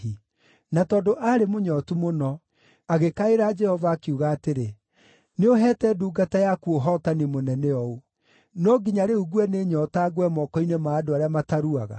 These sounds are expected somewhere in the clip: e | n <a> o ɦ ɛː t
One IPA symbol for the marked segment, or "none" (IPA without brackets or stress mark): e